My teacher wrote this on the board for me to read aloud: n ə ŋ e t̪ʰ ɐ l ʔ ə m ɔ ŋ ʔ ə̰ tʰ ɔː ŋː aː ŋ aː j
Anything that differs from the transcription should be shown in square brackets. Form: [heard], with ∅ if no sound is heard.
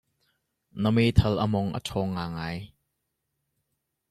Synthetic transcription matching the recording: n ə [m] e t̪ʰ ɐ l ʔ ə m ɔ ŋ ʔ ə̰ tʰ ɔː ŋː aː ŋ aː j